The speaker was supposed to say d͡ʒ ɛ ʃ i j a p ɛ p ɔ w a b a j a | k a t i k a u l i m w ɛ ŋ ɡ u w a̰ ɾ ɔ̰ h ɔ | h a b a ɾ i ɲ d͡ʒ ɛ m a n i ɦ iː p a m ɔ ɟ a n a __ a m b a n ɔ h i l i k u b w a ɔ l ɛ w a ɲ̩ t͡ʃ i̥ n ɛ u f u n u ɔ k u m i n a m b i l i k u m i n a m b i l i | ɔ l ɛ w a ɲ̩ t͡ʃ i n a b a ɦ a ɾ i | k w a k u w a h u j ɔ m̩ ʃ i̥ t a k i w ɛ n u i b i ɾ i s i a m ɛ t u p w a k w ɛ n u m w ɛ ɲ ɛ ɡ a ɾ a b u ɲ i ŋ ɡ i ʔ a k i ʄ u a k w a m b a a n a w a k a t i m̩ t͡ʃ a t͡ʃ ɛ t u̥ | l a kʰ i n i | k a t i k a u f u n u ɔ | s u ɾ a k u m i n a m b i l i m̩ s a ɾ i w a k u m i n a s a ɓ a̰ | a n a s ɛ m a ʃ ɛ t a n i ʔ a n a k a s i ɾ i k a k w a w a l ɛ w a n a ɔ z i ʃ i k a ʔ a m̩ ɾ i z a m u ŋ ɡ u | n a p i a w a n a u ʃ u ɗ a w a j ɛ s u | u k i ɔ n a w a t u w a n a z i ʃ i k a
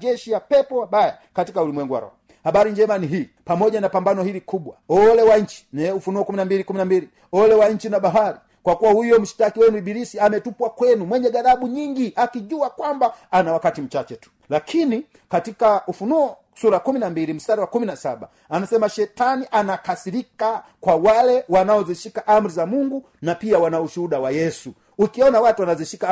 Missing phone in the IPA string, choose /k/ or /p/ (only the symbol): p